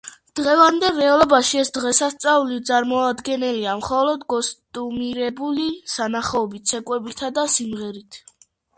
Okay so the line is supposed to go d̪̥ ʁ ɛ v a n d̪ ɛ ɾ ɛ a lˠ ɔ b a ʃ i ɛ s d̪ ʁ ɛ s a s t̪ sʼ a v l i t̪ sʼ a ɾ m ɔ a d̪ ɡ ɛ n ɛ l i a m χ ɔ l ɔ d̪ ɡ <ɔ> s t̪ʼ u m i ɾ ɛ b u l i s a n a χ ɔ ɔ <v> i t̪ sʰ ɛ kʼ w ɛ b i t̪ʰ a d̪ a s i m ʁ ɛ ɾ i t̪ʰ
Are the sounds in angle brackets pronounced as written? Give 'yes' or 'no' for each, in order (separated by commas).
yes, no